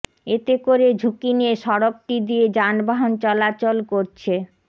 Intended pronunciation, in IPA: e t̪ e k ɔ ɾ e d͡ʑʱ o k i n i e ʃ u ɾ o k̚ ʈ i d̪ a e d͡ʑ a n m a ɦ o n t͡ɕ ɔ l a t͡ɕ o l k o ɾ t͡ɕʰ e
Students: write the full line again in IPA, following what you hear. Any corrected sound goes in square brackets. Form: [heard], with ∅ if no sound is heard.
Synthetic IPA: e t̪ e k [o] ɾ e d͡ʑʱ [u] k i n i e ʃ [ɔ] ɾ o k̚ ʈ i d̪ [i] e d͡ʑ a n [b] a ɦ o n t͡ɕ ɔ l a t͡ɕ o l k o ɾ t͡ɕʰ e